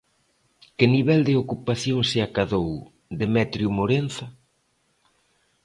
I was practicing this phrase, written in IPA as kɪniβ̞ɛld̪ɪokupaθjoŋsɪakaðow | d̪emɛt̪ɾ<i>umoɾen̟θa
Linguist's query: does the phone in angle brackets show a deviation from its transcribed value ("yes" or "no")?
yes